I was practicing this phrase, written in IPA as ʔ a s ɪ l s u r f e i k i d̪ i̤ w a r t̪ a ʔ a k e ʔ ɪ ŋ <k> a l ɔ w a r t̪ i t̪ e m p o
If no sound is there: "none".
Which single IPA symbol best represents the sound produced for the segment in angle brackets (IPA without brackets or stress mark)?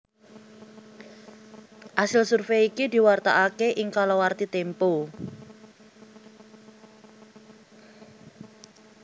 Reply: k